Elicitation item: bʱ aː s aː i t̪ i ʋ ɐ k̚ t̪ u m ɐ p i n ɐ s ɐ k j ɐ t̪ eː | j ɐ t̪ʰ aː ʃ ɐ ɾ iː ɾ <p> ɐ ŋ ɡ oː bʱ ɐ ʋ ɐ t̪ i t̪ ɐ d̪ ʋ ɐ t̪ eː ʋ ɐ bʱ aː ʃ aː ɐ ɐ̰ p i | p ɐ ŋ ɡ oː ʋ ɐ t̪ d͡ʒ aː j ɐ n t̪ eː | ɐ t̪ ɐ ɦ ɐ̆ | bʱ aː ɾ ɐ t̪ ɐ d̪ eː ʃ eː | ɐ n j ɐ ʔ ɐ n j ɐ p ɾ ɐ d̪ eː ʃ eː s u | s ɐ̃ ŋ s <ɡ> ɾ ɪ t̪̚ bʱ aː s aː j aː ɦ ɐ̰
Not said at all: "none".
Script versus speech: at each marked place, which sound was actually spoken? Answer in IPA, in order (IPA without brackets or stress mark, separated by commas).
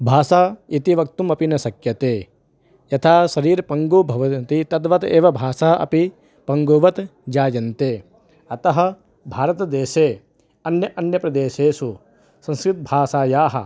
p, k